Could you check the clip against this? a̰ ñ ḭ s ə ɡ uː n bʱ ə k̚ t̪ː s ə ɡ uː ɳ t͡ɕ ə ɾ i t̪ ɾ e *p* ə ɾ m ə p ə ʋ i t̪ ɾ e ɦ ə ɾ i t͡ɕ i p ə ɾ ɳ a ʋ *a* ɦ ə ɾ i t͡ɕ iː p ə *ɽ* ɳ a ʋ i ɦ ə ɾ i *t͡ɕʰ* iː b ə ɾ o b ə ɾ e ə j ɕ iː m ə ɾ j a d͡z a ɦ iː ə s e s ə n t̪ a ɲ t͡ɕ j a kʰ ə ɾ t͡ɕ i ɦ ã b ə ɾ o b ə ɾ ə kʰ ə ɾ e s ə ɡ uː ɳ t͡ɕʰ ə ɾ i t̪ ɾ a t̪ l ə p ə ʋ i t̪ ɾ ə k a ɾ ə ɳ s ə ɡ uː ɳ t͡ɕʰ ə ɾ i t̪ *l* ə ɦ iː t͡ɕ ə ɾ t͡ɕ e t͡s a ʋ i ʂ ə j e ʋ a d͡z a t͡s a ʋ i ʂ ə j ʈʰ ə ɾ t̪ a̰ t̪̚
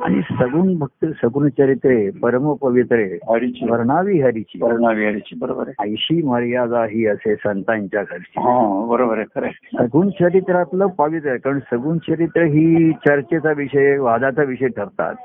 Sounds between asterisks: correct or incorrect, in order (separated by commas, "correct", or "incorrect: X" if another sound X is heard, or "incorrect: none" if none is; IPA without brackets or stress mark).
correct, incorrect: i, incorrect: ɾ, incorrect: t͡ɕ, incorrect: ɾ